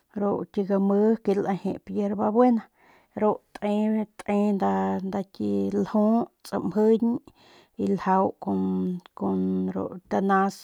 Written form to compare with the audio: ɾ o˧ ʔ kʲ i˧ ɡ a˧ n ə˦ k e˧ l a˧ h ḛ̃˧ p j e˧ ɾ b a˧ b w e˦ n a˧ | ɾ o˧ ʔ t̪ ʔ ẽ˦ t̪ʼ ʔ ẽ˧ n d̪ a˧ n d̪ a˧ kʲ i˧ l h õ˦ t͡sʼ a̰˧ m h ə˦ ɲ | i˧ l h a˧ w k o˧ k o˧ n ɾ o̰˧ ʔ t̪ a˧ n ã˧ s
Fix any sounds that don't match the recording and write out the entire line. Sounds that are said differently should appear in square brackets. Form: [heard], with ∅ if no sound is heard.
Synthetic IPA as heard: ɾ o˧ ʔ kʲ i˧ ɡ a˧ [m] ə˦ k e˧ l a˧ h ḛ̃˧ p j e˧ ɾ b a˧ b w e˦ n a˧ | ɾ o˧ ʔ t̪ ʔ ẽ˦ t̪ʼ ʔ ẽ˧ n d̪ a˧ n d̪ a˧ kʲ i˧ l h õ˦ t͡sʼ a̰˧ m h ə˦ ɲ | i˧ l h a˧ w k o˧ k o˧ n ɾ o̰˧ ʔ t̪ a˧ n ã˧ s

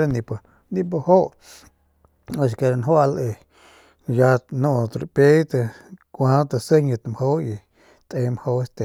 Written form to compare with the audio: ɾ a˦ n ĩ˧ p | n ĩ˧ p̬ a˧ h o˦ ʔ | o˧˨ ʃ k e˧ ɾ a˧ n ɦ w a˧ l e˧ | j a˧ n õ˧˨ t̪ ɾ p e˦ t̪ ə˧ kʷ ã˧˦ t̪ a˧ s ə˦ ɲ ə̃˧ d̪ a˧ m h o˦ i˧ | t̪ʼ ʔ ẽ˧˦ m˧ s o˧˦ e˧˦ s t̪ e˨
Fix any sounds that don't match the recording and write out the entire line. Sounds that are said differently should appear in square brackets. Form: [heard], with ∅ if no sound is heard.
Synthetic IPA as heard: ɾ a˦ n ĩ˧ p | n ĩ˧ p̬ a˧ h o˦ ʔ | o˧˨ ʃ k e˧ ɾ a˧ n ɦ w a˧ l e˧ | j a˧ n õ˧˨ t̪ ɾ p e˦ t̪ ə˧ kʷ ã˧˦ t̪ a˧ s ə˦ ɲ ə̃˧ [t̪] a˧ m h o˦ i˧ | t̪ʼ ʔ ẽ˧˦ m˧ [h] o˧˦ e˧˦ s t̪ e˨

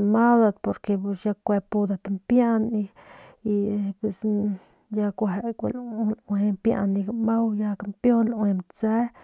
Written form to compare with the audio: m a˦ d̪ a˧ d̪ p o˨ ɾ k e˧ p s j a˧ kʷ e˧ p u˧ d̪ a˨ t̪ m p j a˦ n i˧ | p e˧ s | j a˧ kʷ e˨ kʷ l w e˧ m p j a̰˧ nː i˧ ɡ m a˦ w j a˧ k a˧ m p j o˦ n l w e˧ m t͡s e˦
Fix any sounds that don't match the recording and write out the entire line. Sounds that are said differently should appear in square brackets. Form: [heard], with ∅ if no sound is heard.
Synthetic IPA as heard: m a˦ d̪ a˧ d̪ p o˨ ɾ k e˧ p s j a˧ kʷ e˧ p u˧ d̪ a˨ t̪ m p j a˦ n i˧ | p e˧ s | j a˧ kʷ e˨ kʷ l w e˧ m p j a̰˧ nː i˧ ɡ m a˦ w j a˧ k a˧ m p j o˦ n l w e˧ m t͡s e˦

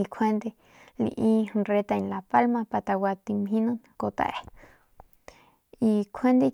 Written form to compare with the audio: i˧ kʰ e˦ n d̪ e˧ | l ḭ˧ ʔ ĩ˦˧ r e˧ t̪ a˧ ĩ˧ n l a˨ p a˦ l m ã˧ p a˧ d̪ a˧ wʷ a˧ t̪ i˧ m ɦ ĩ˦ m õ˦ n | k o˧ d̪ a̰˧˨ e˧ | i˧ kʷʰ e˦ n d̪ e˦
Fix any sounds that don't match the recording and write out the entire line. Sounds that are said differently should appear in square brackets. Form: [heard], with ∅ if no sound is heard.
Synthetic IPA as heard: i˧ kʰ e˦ n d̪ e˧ | l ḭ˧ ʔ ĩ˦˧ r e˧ t̪ a˧ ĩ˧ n l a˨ p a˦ l m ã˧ p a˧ [t̪] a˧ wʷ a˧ t̪ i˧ m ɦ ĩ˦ [n] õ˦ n | k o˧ [t̪] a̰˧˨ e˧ | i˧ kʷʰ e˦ n d̪ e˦

